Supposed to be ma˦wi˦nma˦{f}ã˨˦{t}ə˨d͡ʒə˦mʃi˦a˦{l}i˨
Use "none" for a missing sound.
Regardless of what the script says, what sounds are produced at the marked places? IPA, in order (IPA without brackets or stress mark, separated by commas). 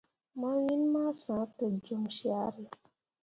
s, t, ɾ